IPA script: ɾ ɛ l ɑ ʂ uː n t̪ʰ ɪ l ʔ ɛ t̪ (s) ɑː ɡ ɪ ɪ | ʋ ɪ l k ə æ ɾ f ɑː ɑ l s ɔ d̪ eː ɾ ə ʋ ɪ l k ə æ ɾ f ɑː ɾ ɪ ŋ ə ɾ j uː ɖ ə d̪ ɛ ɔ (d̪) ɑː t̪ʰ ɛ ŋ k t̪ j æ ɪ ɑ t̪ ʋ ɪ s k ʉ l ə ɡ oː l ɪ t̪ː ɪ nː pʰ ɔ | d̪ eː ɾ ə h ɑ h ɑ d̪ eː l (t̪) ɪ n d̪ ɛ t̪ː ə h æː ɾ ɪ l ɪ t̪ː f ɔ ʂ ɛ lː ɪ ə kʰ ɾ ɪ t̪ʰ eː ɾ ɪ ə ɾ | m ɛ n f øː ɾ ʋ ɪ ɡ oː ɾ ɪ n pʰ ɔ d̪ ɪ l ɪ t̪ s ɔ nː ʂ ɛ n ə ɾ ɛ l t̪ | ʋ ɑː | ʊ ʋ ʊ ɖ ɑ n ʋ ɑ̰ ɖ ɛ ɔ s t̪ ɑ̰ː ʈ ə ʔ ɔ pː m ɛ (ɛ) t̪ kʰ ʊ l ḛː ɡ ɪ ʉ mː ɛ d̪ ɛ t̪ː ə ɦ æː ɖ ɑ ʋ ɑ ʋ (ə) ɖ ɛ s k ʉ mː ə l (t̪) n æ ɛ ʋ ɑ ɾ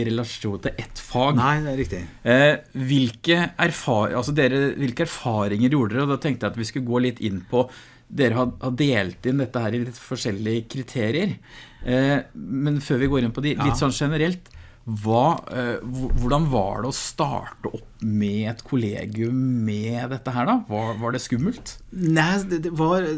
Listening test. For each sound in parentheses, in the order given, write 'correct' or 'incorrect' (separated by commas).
incorrect, correct, correct, correct, incorrect, correct